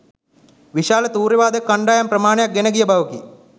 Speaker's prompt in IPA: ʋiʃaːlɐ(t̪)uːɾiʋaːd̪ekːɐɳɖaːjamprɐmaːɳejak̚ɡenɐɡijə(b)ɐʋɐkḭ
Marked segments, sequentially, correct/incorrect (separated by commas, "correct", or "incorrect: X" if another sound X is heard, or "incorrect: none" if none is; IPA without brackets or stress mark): correct, correct